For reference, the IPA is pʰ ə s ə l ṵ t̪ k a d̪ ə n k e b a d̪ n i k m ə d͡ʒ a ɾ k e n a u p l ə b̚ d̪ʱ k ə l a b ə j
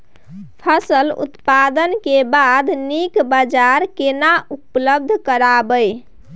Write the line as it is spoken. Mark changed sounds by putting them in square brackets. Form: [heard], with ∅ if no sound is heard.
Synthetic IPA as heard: pʰ ə s ə l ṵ t̪ [p] a d̪ ə n k e b a d̪ n i k [b] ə d͡ʒ a ɾ k e n a u p l ə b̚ d̪ʱ k ə [ɾ] a b ə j